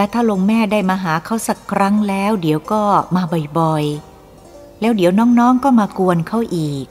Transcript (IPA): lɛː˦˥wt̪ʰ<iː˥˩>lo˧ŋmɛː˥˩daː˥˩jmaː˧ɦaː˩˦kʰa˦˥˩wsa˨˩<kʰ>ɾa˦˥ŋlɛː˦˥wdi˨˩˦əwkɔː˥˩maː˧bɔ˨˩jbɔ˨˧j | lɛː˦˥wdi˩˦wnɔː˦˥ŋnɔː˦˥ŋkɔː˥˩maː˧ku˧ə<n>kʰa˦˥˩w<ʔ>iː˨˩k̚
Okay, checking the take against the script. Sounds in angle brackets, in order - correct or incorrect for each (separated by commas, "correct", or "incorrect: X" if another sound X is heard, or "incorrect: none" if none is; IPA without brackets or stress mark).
incorrect: aː˥˩, correct, correct, correct